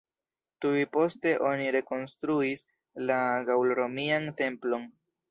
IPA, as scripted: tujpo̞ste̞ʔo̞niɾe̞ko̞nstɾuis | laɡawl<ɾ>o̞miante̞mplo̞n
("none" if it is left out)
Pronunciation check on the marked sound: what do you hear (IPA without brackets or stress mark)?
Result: ɾ